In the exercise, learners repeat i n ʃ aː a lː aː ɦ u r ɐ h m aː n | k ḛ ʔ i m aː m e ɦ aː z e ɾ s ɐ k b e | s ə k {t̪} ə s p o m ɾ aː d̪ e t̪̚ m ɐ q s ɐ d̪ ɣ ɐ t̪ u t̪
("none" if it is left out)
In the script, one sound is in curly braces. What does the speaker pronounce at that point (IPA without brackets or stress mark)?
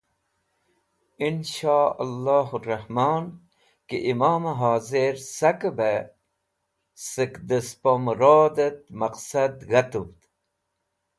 d̪